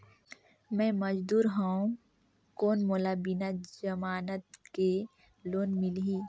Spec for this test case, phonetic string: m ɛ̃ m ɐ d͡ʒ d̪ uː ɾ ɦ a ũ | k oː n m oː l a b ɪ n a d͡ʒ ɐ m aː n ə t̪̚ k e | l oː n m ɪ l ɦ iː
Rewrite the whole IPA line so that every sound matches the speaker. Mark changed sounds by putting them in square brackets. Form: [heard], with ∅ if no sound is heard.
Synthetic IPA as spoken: m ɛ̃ m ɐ d͡ʒ d̪ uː ɾ ɦ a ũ | k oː n m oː l a b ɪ n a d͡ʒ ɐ m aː n ə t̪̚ k e | l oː n m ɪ l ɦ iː